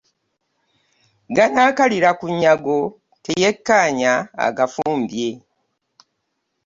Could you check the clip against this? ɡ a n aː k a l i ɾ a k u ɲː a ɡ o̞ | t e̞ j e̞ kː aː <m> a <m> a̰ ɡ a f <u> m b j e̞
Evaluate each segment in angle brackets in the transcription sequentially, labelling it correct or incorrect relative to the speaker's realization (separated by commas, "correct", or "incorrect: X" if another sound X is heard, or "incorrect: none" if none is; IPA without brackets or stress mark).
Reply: incorrect: ɲ, incorrect: none, incorrect: uː